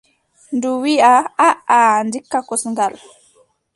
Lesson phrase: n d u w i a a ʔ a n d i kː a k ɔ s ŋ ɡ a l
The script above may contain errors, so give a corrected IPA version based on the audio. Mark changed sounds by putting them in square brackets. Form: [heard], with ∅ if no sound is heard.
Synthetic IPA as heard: n d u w i a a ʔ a n d i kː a k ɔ s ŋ ɡ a l